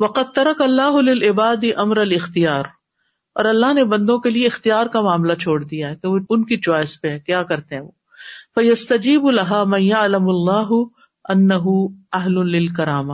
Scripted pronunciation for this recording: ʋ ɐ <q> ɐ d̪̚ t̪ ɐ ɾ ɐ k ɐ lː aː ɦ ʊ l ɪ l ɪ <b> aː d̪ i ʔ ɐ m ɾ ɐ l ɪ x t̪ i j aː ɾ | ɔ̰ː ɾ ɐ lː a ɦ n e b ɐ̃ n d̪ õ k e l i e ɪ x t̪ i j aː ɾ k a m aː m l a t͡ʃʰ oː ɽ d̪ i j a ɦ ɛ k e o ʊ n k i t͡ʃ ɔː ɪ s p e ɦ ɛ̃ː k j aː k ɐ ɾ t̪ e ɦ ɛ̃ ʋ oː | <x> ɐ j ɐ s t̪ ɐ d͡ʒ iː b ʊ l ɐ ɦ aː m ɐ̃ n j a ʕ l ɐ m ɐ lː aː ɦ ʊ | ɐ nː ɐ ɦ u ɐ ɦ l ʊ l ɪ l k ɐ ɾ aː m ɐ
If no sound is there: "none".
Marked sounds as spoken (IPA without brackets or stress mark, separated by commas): q, b, f